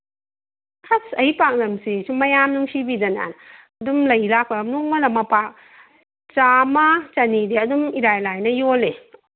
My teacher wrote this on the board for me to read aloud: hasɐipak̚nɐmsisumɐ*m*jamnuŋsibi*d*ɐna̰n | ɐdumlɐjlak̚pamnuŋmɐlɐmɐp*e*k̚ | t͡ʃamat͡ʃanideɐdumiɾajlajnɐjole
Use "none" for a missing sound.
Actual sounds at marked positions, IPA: none, d, a

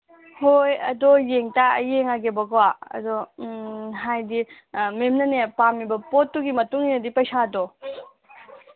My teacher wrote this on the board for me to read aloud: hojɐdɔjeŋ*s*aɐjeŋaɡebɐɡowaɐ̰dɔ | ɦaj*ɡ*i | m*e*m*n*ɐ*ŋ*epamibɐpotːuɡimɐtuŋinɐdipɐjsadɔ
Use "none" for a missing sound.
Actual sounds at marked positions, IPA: t, d, e, n, n

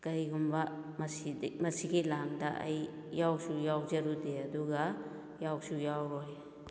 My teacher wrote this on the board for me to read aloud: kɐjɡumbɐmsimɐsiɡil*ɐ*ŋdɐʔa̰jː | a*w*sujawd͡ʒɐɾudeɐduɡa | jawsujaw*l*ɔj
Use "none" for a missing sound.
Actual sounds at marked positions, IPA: a, w, ɾ

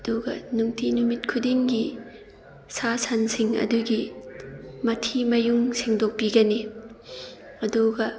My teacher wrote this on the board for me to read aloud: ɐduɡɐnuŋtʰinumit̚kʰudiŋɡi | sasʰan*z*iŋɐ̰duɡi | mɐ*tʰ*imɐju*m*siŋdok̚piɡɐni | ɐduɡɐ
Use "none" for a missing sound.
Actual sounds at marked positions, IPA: s, tʰ, ŋ

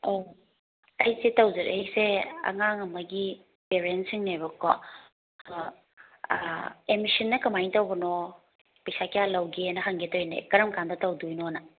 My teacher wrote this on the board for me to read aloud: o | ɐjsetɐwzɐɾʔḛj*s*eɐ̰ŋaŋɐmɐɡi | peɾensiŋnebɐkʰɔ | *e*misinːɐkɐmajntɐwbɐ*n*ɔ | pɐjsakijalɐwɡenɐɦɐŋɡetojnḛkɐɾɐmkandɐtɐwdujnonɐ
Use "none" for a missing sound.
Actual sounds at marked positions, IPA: s, e, n

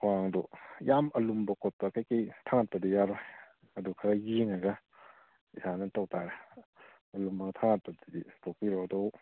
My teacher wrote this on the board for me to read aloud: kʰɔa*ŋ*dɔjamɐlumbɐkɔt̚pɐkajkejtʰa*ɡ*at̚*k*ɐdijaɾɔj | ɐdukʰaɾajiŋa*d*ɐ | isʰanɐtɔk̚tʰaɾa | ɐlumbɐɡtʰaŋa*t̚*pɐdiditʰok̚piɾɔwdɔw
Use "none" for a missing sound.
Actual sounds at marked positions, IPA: ŋ, ŋ, p, ɡ, t̚

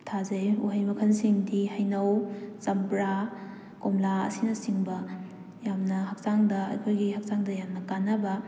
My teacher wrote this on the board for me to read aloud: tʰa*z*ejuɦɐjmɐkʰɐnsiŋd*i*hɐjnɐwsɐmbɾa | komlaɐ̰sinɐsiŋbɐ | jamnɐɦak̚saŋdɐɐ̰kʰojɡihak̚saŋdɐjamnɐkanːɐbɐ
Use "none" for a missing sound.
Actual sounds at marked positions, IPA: z, i

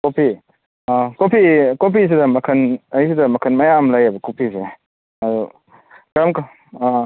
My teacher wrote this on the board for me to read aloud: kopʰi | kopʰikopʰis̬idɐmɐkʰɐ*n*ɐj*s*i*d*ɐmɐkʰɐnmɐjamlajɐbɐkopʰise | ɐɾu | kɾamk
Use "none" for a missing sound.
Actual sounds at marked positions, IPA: n, s, d

